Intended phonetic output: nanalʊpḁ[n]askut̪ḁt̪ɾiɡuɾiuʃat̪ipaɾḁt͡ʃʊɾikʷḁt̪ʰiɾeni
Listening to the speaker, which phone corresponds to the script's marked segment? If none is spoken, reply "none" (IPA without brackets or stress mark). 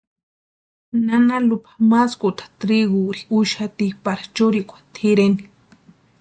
m